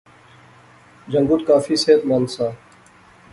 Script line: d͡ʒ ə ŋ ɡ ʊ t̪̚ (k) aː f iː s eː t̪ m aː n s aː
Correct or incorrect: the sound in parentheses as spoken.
correct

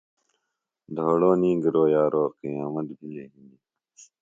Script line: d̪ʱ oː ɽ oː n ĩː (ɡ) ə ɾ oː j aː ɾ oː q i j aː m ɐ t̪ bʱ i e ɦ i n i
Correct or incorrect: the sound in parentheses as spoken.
correct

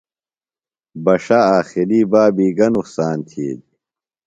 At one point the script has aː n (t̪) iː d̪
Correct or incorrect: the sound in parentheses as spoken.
incorrect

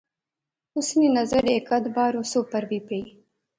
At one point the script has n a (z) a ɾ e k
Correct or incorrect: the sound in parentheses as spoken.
correct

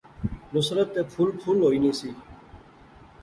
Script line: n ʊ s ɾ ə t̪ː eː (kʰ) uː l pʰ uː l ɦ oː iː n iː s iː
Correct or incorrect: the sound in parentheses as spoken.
incorrect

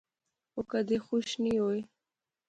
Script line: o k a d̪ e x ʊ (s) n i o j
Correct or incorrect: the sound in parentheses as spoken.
incorrect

